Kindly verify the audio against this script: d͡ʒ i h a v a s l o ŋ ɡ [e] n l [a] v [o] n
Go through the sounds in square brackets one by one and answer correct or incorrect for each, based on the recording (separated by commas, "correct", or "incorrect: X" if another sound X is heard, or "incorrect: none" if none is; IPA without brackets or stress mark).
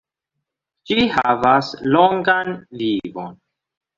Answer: incorrect: a, incorrect: i, correct